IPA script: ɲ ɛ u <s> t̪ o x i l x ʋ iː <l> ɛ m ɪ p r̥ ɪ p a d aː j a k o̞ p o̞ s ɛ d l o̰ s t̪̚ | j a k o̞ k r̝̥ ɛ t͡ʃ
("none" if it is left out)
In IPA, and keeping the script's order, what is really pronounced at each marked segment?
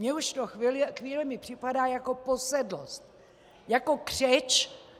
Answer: ʃ, l

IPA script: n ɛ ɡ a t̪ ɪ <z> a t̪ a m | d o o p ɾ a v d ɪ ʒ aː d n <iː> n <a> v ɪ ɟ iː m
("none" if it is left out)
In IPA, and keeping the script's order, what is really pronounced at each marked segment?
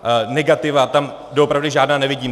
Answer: v, aː, ɛ

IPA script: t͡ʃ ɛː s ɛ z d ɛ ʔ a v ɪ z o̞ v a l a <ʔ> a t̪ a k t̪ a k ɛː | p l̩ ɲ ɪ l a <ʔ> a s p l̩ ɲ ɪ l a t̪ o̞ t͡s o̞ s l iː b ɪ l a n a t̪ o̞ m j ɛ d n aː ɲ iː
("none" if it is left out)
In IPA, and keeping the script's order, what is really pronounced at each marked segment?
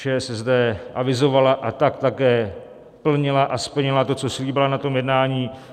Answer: ʔ, ʔ

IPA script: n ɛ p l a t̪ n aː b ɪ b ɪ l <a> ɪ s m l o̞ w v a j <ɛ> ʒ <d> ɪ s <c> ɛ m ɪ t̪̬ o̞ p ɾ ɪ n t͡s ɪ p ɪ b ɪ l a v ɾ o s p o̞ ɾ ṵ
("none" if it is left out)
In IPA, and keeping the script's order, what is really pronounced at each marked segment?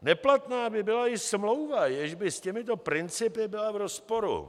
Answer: a, ɛ, b, c

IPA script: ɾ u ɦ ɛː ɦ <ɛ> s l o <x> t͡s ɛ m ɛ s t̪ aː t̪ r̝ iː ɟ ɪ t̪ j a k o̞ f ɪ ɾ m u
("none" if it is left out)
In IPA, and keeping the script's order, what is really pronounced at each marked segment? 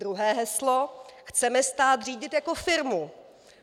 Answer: ɛ, x

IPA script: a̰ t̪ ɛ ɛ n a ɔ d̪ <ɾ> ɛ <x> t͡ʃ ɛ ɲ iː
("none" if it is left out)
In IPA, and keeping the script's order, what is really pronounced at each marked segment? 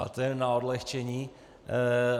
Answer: l, x

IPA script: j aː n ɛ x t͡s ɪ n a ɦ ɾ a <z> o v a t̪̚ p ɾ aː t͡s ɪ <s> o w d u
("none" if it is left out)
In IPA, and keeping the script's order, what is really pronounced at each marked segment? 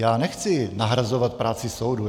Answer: z, s

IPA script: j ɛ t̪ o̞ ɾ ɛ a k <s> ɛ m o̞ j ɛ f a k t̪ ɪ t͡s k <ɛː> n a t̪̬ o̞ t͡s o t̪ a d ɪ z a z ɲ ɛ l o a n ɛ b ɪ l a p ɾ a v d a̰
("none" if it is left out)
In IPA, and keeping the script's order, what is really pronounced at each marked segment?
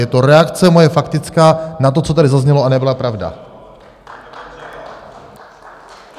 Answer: t͡s, aː

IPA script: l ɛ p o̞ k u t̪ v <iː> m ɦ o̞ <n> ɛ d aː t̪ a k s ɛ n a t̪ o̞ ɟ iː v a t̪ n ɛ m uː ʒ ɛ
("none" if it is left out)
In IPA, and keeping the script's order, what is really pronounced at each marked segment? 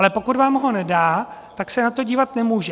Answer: aː, n

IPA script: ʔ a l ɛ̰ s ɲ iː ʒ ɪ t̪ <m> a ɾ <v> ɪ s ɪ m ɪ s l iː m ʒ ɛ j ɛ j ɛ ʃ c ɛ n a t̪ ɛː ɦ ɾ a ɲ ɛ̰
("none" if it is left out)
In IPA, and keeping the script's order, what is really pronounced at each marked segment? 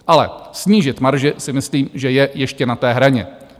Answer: m, ʒ

